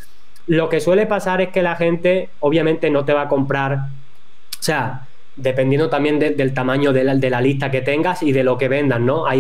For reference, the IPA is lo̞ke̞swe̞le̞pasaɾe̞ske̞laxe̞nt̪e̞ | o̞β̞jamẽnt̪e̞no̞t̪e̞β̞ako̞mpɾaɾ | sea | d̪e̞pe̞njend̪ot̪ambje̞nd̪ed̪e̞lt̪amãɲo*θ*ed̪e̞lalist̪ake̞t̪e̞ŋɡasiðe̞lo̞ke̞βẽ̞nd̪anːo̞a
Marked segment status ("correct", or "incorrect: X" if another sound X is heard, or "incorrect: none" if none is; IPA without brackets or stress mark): incorrect: ð